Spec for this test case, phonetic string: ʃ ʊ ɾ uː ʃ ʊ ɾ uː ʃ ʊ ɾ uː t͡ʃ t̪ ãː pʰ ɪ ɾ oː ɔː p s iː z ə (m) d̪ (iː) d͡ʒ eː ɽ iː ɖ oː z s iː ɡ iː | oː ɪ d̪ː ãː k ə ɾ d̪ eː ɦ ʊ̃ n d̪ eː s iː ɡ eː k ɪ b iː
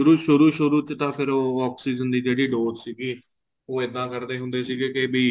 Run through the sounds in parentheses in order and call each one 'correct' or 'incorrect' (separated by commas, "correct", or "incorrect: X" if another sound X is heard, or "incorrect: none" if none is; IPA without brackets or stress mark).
incorrect: n, correct